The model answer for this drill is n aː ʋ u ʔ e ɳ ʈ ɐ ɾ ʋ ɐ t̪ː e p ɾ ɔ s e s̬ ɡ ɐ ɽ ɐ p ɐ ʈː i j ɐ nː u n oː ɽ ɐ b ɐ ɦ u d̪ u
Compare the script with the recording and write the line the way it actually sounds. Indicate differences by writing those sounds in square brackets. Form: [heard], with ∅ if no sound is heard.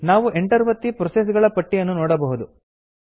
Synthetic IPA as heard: n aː ʋ u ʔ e ɳ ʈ ɐ ɾ ʋ ɐ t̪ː [i] p ɾ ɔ s e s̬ ɡ ɐ [ɭ] ɐ p ɐ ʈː i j ɐ nː u n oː ɽ ɐ b ɐ ɦ u d̪ u